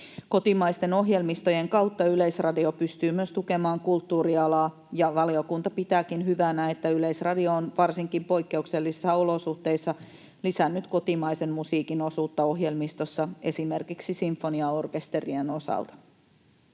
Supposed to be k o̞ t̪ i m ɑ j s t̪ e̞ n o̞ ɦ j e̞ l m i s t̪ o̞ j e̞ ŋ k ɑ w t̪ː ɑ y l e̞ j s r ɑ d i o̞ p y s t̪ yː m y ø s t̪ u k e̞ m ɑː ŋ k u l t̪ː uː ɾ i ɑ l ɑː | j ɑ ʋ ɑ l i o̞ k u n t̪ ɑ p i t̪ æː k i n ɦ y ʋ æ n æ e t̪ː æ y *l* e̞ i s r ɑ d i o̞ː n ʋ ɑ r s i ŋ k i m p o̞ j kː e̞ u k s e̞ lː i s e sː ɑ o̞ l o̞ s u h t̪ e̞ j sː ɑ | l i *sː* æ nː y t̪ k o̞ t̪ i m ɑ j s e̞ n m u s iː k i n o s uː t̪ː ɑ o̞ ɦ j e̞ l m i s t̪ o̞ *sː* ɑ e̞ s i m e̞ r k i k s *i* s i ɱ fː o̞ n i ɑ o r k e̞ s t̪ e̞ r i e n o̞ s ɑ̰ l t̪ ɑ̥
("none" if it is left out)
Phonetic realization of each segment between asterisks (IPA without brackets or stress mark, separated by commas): l, s, sː, i